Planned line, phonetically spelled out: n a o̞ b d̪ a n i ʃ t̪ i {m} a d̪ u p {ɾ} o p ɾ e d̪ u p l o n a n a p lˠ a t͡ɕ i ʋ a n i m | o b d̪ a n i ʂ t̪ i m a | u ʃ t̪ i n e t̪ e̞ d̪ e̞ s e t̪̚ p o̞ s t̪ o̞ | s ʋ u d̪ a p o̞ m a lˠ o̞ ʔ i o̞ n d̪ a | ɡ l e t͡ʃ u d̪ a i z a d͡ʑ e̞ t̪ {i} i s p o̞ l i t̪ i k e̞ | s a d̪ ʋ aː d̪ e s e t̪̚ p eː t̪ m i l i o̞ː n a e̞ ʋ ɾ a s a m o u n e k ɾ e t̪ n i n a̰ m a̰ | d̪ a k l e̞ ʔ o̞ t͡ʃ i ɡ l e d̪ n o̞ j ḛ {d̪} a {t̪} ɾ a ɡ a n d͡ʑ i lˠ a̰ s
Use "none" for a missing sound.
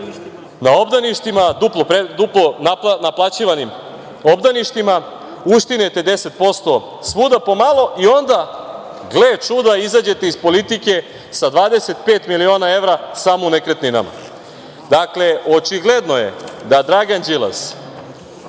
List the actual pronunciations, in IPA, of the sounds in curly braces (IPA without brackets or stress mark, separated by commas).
m, l, e, d̪, d̪